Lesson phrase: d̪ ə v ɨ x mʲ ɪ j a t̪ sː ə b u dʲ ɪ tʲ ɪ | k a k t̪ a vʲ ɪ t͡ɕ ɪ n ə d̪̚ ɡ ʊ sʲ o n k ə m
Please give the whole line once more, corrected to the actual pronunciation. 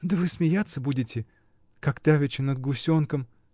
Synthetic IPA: d̪ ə v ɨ s mʲ ɪ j a t̪ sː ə b u dʲ ɪ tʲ ɪ | k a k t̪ a vʲ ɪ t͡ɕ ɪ n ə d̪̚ ɡ ʊ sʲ o n k ə m